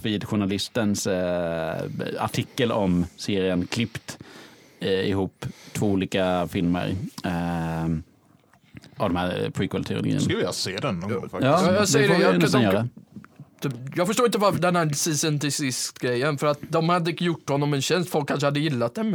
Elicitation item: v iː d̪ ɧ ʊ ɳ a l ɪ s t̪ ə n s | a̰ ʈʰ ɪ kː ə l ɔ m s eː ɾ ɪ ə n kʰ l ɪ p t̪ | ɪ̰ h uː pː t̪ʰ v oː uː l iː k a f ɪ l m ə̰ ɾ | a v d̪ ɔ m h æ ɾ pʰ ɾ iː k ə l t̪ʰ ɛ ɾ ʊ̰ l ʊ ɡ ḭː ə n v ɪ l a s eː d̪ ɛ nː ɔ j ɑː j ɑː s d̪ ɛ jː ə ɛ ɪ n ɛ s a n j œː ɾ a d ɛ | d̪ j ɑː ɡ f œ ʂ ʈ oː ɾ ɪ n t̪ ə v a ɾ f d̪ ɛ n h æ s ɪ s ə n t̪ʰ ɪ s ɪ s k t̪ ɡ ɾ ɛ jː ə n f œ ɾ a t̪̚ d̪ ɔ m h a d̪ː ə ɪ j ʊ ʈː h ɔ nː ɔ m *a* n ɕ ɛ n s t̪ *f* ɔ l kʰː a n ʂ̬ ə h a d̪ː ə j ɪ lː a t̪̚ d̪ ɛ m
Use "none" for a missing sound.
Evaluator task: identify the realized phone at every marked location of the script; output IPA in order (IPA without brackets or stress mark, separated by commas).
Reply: ɛ, f